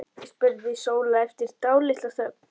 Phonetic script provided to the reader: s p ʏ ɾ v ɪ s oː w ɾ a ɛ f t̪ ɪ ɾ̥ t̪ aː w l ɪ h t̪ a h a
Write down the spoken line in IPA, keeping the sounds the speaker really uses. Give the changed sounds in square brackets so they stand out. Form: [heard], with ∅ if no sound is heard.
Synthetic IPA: s p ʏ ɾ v ɪ s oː w [l] a ɛ f t̪ ɪ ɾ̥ t̪ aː w l ɪ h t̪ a [θ] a